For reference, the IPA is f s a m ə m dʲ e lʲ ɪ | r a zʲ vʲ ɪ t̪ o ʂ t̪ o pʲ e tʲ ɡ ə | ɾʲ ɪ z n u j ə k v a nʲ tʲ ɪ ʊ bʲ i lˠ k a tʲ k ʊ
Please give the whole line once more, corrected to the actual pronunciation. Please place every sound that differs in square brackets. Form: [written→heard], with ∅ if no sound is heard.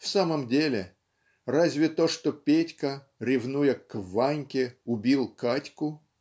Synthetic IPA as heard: f s a m ə m dʲ e lʲ ɪ | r a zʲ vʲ ɪ t̪ o ʂ t̪ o pʲ e tʲ [ɡ→k] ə | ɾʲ ɪ [z→v] n u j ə k v a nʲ [tʲ→kʲ] ɪ ʊ bʲ i lˠ k a tʲ k ʊ